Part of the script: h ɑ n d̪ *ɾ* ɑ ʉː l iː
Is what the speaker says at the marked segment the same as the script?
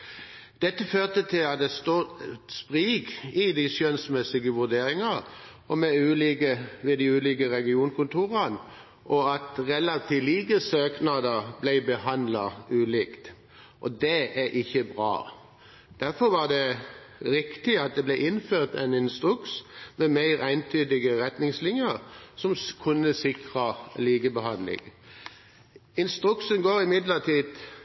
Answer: no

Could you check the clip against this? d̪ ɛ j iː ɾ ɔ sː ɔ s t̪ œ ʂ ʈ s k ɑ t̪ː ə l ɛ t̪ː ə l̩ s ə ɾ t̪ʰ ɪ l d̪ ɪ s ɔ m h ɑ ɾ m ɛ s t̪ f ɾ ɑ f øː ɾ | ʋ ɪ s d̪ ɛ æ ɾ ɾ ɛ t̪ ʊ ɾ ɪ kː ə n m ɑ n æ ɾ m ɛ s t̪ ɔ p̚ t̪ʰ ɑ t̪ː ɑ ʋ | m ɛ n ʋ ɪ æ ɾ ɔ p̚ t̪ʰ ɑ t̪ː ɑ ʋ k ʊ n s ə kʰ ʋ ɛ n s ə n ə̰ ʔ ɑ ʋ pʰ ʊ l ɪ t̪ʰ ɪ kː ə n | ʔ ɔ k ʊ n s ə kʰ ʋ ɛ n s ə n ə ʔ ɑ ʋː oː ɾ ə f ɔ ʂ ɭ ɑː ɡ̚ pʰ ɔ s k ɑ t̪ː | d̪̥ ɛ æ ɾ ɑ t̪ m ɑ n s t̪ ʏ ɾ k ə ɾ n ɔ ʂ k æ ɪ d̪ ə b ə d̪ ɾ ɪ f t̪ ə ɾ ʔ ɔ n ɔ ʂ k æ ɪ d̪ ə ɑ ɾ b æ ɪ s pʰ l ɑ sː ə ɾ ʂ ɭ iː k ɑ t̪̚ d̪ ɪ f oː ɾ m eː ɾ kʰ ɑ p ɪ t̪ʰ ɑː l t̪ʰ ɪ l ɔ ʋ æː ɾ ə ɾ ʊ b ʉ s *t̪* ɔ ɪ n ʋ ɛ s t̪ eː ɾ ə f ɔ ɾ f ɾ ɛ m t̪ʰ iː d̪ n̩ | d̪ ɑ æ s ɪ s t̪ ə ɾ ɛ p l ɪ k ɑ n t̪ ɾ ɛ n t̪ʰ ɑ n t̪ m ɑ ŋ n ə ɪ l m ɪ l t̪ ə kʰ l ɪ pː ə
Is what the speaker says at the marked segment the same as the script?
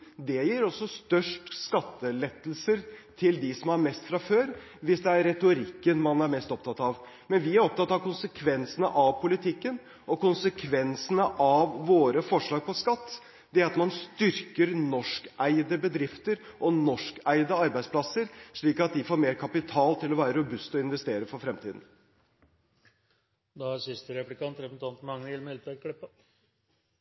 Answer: yes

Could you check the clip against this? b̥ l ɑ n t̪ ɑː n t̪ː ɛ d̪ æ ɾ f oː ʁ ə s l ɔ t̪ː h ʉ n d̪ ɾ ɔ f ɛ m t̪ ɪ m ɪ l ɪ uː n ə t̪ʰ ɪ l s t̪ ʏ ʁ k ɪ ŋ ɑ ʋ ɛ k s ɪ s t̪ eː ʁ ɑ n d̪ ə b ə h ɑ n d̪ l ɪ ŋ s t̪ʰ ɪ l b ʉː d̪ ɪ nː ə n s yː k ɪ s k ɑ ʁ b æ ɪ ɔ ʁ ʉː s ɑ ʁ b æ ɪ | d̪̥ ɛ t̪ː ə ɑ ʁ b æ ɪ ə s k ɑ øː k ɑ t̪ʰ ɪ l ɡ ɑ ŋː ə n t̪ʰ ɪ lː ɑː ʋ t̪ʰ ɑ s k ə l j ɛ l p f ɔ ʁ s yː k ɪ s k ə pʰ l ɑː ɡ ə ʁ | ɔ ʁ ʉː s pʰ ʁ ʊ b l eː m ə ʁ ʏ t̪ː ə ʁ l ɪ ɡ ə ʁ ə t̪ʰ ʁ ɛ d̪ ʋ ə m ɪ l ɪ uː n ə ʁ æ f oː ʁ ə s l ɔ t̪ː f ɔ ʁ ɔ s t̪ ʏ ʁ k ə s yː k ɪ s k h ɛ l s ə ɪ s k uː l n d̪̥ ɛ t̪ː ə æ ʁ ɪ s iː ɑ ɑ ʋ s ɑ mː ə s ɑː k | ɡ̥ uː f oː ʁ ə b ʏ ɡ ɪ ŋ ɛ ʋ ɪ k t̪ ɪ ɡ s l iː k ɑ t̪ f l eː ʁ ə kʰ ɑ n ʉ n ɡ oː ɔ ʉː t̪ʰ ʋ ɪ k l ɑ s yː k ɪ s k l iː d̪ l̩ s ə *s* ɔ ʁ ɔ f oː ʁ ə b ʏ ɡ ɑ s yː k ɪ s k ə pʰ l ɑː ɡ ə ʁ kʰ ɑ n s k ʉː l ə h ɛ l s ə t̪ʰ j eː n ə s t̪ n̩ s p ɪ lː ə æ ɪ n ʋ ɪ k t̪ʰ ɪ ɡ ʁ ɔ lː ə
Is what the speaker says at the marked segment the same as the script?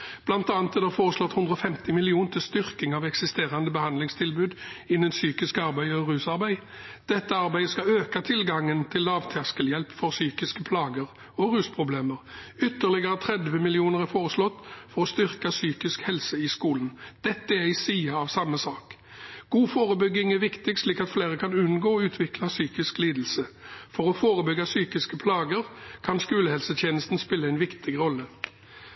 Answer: no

